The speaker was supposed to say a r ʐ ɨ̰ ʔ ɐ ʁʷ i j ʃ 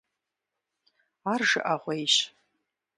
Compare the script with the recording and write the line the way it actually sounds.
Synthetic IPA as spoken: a r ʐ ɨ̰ ʔ a ʁʷ e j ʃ

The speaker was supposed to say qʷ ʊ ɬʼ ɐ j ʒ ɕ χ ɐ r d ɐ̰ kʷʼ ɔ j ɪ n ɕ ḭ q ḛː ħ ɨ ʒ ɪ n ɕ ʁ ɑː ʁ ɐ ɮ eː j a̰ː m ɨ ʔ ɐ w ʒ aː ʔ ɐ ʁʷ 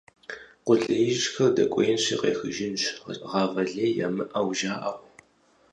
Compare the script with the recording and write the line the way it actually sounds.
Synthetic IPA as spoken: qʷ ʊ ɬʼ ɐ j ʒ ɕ x ɐ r d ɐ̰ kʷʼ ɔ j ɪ n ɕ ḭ q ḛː x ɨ ʒ ɪ n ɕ ʁ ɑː v ɐ ɮ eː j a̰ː m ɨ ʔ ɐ w ʒ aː ʔ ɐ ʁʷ

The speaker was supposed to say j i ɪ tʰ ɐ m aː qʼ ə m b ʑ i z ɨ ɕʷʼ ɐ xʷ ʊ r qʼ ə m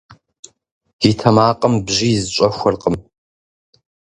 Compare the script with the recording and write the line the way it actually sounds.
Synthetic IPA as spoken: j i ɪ tʰ ɐ m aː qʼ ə m b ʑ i z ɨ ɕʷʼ ɐ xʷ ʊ r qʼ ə m

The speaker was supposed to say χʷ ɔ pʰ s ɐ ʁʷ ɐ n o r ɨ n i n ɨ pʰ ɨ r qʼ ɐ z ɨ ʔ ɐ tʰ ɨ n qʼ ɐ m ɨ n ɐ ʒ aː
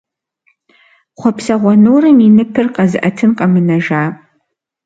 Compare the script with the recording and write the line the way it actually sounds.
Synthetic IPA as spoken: χʷ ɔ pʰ s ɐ ʁʷ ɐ n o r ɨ m i n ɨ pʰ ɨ r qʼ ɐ z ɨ ʔ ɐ tʰ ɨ n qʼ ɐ m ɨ n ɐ ʒ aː

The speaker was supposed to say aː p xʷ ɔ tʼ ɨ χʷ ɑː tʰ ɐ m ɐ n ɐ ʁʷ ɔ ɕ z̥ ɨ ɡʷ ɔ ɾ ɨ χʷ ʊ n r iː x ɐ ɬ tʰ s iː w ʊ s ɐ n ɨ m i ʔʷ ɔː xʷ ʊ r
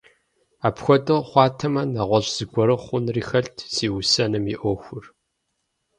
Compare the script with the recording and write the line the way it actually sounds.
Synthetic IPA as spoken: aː p xʷ ɔ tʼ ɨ χʷ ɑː tʰ ɐ m ɐ n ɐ ʁʷ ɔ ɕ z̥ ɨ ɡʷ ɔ ɾ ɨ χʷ ʊ n r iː x ɐ ɬ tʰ s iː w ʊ s ɐ n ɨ m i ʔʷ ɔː xʷ ʊ r

